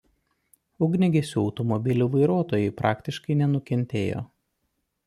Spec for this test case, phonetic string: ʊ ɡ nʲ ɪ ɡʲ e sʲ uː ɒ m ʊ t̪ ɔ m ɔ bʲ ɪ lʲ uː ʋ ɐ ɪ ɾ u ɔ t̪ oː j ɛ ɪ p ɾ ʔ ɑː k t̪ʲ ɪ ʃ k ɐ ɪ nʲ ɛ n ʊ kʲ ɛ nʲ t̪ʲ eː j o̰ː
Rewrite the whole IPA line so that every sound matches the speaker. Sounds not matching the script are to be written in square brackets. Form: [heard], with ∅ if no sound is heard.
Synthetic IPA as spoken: ʊ ɡ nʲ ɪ ɡʲ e sʲ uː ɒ [∅] ʊ t̪ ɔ m ɔ bʲ ɪ lʲ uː ʋ ɐ ɪ ɾ u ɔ t̪ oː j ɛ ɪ p ɾ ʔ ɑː k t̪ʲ ɪ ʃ k ɐ ɪ nʲ ɛ n ʊ kʲ ɛ nʲ t̪ʲ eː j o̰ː

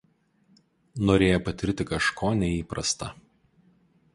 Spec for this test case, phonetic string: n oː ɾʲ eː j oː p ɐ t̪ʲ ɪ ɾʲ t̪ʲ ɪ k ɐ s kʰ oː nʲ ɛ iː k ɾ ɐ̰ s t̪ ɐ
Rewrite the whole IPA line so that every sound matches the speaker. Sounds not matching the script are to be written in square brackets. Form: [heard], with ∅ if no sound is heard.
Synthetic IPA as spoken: n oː ɾʲ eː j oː p ɐ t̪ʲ ɪ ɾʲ t̪ʲ ɪ k ɐ [ʃ] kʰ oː nʲ ɛ iː [p] ɾ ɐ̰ s t̪ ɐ

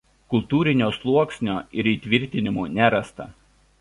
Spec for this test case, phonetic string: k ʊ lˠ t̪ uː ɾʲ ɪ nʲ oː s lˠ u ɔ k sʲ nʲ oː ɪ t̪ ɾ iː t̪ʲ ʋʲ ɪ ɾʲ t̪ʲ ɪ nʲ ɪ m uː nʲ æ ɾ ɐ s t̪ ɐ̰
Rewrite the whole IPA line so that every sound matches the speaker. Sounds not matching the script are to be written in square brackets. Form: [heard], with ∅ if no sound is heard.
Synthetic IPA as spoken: k ʊ lˠ t̪ uː ɾʲ ɪ nʲ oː s lˠ u ɔ k sʲ nʲ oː ɪ [∅] ɾ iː t̪ʲ ʋʲ ɪ ɾʲ t̪ʲ ɪ nʲ ɪ m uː nʲ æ ɾ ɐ s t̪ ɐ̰

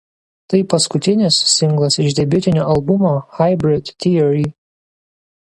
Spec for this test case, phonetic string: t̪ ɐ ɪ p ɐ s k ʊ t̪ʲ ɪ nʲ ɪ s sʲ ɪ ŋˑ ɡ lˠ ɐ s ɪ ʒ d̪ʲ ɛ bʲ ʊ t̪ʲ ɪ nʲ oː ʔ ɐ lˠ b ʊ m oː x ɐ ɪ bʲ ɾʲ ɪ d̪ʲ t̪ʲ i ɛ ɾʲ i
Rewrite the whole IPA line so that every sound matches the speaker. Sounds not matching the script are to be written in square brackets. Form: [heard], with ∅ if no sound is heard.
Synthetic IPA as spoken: t̪ ɐ ɪ p ɐ s k ʊ t̪ʲ ɪ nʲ ɪ s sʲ ɪ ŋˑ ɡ lˠ ɐ s ɪ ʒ d̪ʲ ɛ bʲ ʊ t̪ʲ ɪ nʲ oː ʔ ɐ lˠ b ʊ m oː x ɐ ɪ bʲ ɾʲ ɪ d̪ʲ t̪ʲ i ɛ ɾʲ i

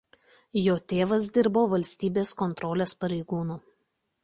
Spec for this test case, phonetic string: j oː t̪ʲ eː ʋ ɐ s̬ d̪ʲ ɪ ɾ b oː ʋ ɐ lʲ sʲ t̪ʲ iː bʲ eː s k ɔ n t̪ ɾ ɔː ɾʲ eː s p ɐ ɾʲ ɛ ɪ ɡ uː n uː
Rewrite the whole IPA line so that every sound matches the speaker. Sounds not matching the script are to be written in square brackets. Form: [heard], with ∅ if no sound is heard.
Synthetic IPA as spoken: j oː t̪ʲ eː ʋ ɐ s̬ d̪ʲ ɪ ɾ b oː ʋ ɐ lʲ sʲ t̪ʲ iː bʲ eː s k ɔ n t̪ ɾ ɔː [lʲ] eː s p ɐ ɾʲ ɛ ɪ ɡ uː n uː

